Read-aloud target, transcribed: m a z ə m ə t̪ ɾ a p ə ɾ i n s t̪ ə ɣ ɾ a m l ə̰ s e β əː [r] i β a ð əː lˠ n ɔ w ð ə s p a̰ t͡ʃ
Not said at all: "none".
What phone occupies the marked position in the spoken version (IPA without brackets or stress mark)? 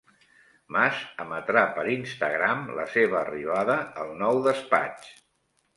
r